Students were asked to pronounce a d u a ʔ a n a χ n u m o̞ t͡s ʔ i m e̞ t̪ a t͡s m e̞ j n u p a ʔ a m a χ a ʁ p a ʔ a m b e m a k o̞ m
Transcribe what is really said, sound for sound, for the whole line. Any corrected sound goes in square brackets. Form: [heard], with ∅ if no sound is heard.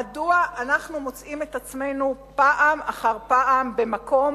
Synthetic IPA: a d u a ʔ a n a χ n u m o̞ t͡s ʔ i m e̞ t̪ a t͡s m e̞ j n u p a ʔ a m a χ a ʁ p a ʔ a m b e m a k o̞ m